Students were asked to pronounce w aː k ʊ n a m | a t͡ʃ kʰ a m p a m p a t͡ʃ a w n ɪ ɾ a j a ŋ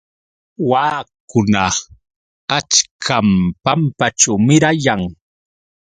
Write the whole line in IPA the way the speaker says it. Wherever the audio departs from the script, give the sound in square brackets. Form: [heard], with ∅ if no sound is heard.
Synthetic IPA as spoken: w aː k ʊ n a [∅] | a t͡ʃ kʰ a m p a m p a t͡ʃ a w [m] ɪ ɾ a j a ŋ